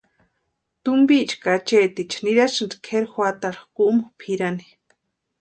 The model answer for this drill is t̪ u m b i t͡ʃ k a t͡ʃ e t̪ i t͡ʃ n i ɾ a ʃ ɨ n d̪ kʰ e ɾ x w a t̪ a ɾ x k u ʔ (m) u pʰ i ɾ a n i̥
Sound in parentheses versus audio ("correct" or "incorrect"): correct